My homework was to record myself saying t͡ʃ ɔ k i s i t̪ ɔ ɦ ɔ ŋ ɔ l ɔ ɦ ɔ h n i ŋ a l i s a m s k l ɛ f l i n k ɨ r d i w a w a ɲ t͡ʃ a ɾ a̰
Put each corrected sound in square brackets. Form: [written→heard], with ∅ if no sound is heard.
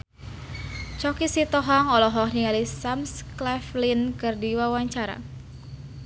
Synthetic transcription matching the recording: t͡ʃ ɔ k i s i t̪ ɔ ɦ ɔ ŋ ɔ l ɔ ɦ ɔ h n i ŋ a l i s a m s k l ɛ f l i n k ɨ r d i w a w a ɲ t͡ʃ a ɾ a̰